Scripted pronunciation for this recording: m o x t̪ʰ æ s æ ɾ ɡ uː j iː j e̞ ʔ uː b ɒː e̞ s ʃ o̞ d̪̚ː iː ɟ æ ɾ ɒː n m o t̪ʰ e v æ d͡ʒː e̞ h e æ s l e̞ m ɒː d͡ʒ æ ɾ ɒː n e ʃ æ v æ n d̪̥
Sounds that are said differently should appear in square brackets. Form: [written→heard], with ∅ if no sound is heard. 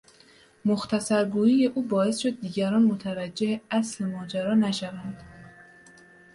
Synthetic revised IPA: m o x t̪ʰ æ s æ ɾ ɡ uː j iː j e̞ ʔ uː b ɒː e̞ s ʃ o̞ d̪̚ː iː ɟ æ ɾ ɒː n m o t̪ʰ [e→æ] v æ d͡ʒː e̞ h e æ s l e̞ m ɒː d͡ʒ æ ɾ ɒː n [e→æ] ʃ æ v æ n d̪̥